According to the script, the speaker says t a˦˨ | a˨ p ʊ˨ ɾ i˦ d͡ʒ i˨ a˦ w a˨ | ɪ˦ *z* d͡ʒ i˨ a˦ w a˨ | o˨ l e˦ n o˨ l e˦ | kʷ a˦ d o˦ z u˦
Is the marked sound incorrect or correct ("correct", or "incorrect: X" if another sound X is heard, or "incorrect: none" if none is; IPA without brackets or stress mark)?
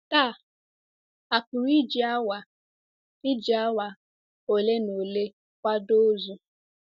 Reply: incorrect: none